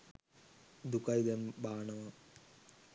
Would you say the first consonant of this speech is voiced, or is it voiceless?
voiced